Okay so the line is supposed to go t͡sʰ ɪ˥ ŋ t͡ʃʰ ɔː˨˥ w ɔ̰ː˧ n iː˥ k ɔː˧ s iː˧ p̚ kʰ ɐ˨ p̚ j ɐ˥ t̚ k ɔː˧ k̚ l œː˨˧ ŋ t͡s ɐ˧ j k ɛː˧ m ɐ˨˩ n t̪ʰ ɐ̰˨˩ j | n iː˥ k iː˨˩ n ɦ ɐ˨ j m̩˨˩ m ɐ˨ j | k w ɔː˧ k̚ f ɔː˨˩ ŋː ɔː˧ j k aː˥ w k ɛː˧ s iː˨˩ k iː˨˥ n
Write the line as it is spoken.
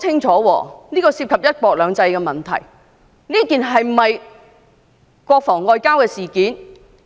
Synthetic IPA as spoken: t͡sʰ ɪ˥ ŋ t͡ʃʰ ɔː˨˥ w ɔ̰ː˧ n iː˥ k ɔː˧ s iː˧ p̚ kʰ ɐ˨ p̚ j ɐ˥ t̚ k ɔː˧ k̚ l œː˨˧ ŋ t͡s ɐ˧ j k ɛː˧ m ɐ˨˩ n t̪ʰ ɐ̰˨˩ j | n iː˥ k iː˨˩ n ɦ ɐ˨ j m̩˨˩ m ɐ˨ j | k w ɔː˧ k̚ f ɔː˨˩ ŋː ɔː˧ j k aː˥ w k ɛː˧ s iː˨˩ k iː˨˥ n